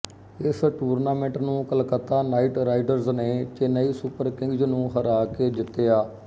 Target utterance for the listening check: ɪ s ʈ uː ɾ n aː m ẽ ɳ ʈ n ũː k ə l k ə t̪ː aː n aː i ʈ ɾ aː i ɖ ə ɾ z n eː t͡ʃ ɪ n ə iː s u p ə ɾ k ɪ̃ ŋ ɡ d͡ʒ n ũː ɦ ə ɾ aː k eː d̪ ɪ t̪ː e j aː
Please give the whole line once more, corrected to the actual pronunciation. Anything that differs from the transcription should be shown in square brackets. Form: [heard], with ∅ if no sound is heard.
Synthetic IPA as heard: ɪ s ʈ uː ɾ n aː m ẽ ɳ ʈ n ũː k ə l k ə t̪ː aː n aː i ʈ ɾ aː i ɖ ə ɾ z n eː t͡ʃ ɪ n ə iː s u p ə ɾ k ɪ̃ ŋ ɡ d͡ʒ n ũː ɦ ə ɾ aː k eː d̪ ɪ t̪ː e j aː